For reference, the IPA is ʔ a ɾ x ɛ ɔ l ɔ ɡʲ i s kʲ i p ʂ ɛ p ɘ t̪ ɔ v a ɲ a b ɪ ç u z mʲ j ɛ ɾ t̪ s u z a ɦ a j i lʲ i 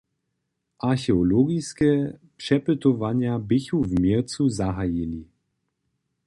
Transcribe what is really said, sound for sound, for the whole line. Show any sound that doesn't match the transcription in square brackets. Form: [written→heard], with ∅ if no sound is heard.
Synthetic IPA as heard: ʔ a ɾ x ɛ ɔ l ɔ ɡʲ i s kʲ [i→ɛ] p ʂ ɛ p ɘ t̪ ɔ v a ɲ a b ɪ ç u [z→v] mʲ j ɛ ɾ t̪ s u z a ɦ a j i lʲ i